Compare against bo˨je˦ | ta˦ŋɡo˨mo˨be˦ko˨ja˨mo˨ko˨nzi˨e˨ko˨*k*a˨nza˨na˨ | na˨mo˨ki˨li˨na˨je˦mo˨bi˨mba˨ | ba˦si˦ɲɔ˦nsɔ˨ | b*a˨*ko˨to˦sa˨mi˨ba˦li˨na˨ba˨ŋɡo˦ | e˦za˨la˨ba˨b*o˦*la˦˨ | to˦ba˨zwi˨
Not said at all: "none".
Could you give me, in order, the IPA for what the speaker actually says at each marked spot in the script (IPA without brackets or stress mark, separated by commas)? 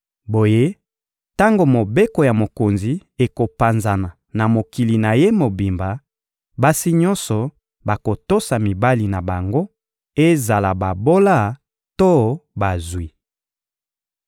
p, a˨, o˦